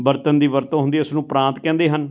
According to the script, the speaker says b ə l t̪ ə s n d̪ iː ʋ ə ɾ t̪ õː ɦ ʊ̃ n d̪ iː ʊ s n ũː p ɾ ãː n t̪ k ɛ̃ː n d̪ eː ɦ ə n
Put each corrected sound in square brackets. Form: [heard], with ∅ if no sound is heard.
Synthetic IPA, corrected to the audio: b ə [ɾ] t̪ ə [∅] n d̪ iː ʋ ə ɾ t̪ õː ɦ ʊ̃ n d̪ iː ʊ s n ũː p ɾ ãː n t̪ k ɛ̃ː n d̪ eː ɦ ə n